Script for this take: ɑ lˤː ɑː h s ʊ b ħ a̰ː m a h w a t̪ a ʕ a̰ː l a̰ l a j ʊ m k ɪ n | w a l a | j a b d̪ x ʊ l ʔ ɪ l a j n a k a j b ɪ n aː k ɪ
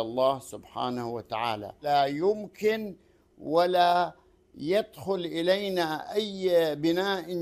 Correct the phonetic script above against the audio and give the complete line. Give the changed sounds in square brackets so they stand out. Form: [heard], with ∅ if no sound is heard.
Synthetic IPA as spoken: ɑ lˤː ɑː h s ʊ b ħ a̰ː [n] a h w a t̪ a ʕ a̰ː l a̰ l a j ʊ m k ɪ n | w a l a | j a [∅] d̪ x ʊ l ʔ ɪ l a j n a [ʔ] a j b ɪ n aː [ʔ] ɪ